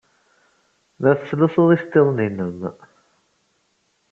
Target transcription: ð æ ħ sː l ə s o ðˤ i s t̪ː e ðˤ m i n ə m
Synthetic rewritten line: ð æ θ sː l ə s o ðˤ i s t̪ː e ðˤ n i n ə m